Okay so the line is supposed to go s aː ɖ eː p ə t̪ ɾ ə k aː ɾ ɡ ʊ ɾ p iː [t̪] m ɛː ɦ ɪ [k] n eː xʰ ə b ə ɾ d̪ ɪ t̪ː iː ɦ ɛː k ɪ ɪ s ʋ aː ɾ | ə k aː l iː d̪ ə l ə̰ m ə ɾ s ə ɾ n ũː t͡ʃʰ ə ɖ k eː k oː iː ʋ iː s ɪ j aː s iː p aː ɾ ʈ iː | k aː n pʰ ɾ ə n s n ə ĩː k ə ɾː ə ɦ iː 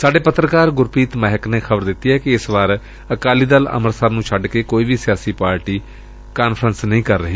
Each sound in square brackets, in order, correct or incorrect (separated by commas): correct, correct